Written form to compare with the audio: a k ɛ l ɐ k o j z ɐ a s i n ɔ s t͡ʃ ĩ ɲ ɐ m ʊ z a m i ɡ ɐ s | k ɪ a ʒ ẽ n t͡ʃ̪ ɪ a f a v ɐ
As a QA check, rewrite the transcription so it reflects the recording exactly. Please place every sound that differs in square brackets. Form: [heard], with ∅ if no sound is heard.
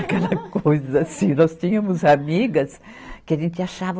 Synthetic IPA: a k ɛ l ɐ k o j z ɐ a s [ĩ] n ɔ s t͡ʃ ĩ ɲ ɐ m ʊ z a m i ɡ ɐ s | k ɪ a ʒ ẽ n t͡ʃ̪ ɪ a [ʃ] a v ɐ